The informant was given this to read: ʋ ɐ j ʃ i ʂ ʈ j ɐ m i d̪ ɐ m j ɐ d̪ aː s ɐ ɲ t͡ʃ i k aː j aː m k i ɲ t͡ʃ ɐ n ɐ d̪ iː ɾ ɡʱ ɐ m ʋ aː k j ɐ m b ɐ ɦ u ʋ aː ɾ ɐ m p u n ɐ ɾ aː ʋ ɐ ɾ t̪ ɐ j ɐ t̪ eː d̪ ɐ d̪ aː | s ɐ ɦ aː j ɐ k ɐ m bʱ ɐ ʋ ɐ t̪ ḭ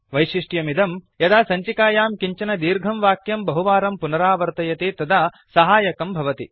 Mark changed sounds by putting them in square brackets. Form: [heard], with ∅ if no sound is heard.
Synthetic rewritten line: ʋ ɐ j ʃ i ʂ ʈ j ɐ m i d̪ ɐ m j ɐ d̪ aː s ɐ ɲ t͡ʃ i k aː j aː m k i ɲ t͡ʃ ɐ n ɐ d̪ iː ɾ ɡʱ ɐ m ʋ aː k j ɐ m b ɐ ɦ u ʋ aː ɾ ɐ m p u n ɐ ɾ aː ʋ ɐ ɾ t̪ ɐ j ɐ t̪ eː [t̪] ɐ d̪ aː | s ɐ ɦ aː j ɐ k ɐ m bʱ ɐ ʋ ɐ t̪ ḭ